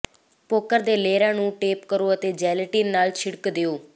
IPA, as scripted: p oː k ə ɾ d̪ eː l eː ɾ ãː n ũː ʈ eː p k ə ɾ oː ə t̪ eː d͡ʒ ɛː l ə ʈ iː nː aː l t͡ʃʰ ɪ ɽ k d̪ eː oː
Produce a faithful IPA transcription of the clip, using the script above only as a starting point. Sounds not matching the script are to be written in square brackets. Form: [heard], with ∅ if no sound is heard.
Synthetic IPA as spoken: p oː k ə ɾ d̪ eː l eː ɾ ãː n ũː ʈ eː p k ə ɾ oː ə t̪ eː d͡ʒ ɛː l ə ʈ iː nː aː l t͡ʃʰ ɪ ɽ k d̪ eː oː